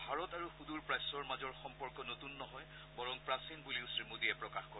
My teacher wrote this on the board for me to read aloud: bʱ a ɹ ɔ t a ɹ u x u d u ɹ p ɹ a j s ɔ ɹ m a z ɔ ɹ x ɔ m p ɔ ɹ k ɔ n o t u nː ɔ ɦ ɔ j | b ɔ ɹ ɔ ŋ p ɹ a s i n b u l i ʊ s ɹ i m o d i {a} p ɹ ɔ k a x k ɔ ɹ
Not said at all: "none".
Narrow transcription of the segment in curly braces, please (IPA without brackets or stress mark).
ɛ